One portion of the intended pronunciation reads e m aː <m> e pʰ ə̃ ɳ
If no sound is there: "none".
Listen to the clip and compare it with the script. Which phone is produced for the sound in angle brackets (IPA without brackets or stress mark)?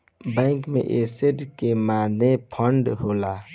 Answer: n